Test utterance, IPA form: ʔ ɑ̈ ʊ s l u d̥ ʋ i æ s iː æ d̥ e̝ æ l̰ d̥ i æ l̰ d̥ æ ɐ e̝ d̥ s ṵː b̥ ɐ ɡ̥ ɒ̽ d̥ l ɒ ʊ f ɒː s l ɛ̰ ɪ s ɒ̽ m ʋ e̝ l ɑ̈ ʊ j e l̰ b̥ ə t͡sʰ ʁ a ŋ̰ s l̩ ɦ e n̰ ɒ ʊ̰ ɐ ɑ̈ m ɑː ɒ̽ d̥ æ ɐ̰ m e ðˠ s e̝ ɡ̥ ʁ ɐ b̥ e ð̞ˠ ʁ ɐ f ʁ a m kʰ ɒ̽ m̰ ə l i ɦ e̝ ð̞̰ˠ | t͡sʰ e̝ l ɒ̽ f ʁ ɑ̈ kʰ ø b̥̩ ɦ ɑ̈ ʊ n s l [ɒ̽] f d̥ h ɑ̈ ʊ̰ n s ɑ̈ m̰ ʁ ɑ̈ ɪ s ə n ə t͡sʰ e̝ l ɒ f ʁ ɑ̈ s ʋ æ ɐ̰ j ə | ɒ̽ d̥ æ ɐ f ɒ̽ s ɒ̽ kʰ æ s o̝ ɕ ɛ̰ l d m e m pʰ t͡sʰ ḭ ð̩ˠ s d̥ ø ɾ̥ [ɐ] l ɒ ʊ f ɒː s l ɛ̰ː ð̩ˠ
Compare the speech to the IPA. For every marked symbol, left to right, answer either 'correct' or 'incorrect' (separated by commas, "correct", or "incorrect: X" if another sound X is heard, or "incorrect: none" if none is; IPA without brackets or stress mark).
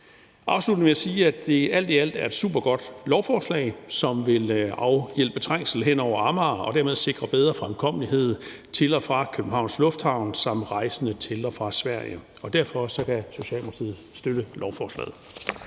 incorrect: ɔ̽, incorrect: ə